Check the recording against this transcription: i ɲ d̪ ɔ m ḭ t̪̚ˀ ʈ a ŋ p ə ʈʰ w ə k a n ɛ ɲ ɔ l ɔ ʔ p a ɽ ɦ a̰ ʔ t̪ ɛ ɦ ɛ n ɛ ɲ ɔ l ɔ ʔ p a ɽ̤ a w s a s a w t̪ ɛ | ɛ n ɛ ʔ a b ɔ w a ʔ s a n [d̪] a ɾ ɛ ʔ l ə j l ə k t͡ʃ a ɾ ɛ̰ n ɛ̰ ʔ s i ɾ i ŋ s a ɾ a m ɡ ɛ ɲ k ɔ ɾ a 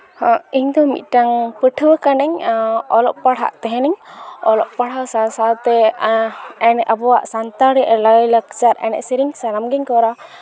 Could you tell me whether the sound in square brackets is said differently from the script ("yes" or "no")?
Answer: yes